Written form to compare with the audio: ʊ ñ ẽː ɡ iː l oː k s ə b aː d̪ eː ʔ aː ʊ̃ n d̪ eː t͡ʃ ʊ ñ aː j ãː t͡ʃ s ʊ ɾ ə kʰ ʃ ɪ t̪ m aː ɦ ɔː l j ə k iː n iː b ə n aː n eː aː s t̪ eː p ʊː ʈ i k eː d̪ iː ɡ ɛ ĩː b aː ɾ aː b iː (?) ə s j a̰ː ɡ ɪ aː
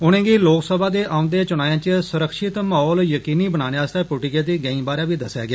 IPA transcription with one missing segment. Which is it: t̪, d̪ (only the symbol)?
d̪